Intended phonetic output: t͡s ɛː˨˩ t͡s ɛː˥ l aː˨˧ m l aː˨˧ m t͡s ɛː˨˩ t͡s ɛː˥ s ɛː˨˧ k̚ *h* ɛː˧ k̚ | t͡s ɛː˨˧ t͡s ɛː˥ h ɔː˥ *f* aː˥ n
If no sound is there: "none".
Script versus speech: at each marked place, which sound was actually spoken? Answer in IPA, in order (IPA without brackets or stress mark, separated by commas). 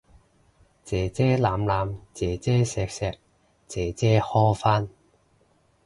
s, f